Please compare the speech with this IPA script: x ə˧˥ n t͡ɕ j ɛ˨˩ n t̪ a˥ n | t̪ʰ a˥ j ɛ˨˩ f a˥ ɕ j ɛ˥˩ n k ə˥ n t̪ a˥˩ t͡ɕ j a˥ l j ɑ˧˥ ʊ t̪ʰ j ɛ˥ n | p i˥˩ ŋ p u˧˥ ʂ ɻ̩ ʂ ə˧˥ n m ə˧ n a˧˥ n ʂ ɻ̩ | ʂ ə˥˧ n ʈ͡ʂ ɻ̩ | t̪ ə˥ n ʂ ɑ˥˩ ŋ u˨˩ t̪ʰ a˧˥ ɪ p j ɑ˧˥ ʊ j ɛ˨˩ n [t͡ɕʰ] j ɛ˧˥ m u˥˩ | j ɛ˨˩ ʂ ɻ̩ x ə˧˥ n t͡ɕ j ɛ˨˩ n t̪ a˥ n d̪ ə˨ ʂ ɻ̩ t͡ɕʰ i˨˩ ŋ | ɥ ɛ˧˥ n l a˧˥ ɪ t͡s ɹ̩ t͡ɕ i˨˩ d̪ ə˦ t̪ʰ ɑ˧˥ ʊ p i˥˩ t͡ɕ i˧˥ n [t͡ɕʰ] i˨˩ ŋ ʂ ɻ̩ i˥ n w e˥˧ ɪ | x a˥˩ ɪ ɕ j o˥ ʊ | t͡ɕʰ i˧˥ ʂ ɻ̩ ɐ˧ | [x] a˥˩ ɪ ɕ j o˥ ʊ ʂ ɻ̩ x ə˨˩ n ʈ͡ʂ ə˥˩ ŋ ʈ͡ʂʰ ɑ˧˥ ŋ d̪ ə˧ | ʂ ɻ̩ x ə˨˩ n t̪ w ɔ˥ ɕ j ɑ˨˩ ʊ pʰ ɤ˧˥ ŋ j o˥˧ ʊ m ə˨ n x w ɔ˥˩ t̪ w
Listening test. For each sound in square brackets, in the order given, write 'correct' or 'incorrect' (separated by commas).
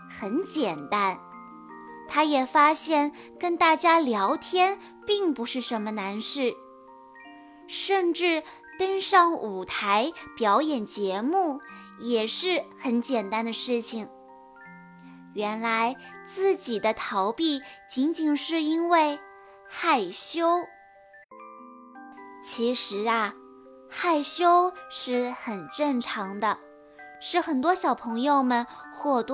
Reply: incorrect, incorrect, correct